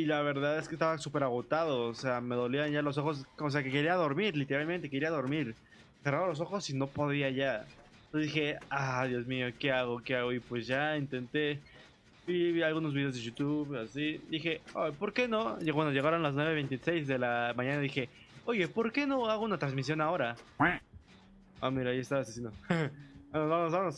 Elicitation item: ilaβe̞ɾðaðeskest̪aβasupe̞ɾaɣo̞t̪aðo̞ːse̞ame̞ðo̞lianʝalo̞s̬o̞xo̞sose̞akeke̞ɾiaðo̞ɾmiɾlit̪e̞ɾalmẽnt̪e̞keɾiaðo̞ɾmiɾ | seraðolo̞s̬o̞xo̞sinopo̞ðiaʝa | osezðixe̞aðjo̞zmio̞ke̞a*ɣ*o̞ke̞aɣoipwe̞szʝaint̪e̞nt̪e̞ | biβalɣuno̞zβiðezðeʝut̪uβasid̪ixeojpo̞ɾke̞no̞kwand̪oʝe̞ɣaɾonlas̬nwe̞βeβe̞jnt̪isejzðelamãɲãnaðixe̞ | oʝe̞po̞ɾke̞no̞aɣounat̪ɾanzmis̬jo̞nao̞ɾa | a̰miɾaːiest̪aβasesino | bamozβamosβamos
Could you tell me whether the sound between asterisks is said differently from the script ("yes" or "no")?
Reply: no